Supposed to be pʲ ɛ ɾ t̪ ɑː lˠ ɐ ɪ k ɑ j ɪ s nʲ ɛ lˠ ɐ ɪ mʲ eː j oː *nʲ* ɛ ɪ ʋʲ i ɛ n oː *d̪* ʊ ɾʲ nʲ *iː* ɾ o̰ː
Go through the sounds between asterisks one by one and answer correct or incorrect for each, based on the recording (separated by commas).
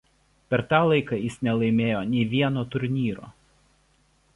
correct, incorrect, correct